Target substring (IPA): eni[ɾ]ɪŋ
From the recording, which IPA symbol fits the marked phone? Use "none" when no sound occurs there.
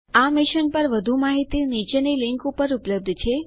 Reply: l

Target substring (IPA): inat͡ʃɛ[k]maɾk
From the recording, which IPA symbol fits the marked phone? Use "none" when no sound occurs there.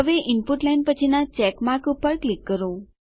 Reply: k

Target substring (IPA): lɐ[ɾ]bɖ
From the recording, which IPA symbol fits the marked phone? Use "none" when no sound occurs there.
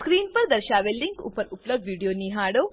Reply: none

